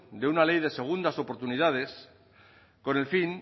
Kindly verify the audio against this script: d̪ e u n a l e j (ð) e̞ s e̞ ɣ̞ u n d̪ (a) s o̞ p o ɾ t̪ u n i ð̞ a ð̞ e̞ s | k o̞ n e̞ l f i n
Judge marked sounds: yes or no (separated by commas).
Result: yes, yes